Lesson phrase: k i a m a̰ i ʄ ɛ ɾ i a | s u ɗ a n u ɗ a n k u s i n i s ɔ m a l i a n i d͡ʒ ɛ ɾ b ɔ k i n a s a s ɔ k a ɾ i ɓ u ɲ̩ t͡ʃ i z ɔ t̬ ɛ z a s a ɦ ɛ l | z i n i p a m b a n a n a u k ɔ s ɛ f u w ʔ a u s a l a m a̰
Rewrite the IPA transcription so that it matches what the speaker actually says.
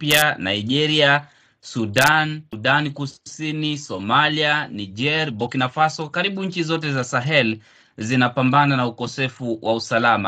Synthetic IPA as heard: p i a n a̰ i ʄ ɛ ɾ i a | s u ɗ a n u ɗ a n k u s i n i s ɔ m a l i a n i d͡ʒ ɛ ɾ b ɔ k i n a f a s ɔ k a ɾ i ɓ u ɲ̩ t͡ʃ i z ɔ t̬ ɛ z a s a ɦ ɛ l | z i n a p a m b a n a n a u k ɔ s ɛ f u w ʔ a u s a l a m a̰